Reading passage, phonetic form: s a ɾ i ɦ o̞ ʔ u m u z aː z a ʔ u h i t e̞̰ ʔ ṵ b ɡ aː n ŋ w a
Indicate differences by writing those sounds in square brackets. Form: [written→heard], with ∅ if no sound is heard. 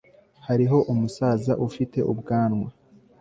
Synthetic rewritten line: [s→h] a ɾ i ɦ o̞ ʔ u m u [z→s] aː z a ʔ u [h→f] i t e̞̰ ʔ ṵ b ɡ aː n ŋ w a